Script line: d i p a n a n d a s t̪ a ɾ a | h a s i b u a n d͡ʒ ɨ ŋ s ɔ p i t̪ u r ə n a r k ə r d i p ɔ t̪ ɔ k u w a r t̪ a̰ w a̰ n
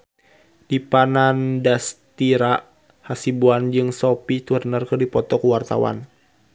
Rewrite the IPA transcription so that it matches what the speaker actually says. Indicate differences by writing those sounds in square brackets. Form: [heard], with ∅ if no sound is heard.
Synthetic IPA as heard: d i p a n a n d a s t̪ [i] ɾ a | h a s i b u a n d͡ʒ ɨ ŋ s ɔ p i t̪ u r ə n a r k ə r d i p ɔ t̪ ɔ k u w a r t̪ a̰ w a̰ n